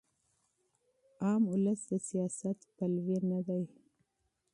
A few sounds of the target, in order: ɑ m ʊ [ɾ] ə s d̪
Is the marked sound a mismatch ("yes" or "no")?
yes